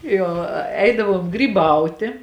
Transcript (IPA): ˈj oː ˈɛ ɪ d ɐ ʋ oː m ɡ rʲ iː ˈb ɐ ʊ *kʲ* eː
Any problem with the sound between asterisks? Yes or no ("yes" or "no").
yes